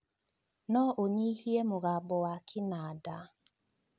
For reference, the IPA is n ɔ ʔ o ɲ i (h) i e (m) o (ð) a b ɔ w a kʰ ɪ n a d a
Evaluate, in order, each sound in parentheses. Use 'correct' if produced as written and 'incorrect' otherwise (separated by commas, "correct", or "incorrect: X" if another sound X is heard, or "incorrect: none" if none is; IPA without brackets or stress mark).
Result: correct, correct, incorrect: ɣ